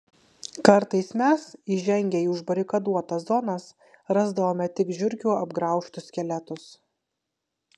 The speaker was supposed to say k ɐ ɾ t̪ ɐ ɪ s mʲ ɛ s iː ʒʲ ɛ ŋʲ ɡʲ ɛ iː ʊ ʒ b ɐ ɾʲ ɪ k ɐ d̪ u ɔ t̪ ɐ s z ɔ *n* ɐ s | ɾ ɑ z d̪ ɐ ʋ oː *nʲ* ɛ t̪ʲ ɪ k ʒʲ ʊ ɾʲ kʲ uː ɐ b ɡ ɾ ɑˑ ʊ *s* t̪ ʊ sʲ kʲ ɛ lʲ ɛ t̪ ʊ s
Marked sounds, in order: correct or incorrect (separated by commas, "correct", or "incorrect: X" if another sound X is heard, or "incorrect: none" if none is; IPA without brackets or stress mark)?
correct, incorrect: mʲ, incorrect: ʃ